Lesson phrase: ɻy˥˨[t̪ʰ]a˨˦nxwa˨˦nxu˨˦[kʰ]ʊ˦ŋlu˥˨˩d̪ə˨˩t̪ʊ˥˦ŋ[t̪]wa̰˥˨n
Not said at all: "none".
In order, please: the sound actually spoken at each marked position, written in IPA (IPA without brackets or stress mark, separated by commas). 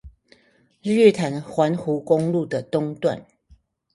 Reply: t̪ʰ, k, t̪